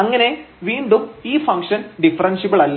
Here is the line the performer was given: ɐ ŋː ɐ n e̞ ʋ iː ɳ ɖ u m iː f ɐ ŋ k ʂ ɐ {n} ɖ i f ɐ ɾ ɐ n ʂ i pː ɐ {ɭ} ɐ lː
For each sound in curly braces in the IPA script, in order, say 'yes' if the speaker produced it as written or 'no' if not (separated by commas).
yes, yes